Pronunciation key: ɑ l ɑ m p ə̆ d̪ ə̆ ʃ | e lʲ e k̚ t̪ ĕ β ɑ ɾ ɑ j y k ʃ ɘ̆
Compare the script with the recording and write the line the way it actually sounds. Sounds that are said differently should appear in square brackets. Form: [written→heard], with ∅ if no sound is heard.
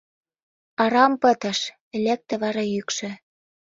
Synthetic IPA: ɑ [l→ɾ] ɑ m p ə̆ [d̪→t̪] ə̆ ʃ | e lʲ e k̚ t̪ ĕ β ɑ ɾ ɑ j y k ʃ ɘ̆